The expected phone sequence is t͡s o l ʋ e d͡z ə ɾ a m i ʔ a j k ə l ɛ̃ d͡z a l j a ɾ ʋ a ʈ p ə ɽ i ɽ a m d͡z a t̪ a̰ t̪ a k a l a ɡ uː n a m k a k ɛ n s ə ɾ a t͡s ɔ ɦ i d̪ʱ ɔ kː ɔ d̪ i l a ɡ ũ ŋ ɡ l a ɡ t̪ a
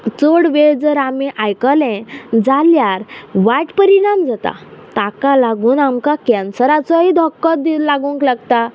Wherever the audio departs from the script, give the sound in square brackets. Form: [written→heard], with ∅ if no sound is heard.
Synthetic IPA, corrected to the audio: t͡s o [l→ɽ] ʋ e d͡z ə ɾ a m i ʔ a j k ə l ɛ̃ d͡z a l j a ɾ ʋ a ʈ p ə [ɽ→ɾ] i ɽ a m d͡z a t̪ a̰ t̪ a k a l a ɡ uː n a m k a k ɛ n s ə ɾ a t͡s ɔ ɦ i d̪ʱ ɔ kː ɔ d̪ i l a ɡ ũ ŋ [ɡ→k] l a ɡ t̪ a